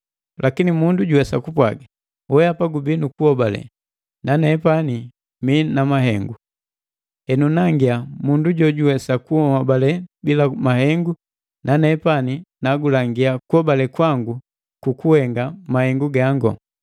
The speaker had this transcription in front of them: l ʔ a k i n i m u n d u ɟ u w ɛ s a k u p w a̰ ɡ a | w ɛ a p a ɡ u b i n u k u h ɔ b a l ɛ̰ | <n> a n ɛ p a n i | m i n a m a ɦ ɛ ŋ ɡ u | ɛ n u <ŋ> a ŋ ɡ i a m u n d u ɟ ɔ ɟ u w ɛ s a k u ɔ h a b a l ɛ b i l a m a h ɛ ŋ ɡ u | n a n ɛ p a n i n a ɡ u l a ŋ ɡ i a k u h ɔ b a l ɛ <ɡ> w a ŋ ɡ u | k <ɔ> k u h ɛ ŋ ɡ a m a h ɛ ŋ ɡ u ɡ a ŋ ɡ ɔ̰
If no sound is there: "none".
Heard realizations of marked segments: n, n, k, u

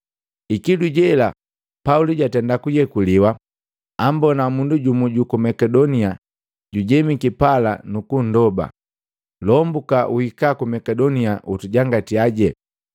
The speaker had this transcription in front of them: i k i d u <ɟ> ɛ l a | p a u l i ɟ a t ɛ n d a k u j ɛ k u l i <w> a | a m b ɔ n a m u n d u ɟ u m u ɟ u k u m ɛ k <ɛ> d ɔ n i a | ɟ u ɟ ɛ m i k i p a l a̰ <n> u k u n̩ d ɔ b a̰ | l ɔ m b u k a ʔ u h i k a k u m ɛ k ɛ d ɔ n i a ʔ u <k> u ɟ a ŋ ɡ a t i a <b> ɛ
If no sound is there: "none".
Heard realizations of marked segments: ɟ, w, ɛ, n, t, ɟ

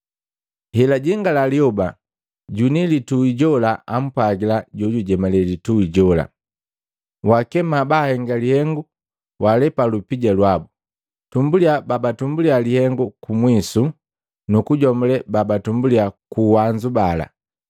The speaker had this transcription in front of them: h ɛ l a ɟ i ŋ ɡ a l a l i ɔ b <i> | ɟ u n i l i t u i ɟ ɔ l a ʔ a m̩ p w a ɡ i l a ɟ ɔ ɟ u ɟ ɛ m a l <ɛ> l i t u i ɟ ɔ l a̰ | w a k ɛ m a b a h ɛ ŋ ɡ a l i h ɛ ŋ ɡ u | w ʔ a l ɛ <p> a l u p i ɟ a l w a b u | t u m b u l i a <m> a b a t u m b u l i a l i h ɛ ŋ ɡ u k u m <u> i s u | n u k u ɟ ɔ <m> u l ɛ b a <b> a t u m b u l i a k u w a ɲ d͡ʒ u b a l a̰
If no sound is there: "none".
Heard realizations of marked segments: a, ɛ, p, b, w, m, b

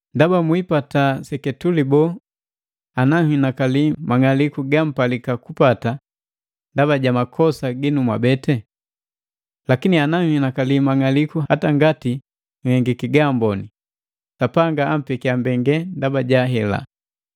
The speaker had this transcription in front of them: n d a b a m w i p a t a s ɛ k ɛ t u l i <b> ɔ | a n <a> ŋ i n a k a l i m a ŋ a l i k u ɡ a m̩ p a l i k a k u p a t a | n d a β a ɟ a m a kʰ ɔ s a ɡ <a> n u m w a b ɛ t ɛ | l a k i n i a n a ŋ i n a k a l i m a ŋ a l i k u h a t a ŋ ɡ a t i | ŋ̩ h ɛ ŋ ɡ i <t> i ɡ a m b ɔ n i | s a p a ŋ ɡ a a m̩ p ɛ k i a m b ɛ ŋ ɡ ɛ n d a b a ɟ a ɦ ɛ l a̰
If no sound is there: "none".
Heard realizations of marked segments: b, a, i, k

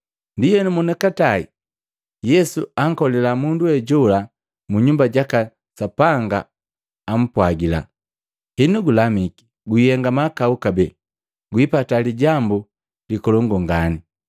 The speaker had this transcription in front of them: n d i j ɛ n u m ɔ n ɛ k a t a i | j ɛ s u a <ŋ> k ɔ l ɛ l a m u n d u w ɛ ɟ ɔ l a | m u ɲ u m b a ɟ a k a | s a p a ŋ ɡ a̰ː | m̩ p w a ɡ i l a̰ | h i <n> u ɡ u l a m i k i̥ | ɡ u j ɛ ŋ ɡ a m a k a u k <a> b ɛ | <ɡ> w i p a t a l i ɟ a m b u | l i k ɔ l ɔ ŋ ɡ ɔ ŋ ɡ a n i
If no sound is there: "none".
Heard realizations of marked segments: ŋ, n, a, ɡ

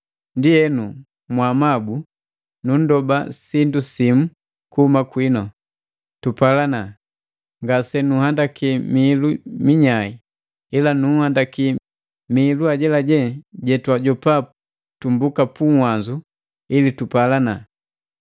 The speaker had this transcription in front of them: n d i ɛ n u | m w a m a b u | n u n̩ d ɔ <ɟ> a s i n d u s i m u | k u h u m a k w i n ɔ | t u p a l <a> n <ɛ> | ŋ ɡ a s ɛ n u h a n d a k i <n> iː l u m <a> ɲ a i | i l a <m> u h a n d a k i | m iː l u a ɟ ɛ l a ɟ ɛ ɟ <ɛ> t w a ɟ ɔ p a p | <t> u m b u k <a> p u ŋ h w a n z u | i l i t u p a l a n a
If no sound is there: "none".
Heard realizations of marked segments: b, a, a, m, i, n, ɛ, t, a

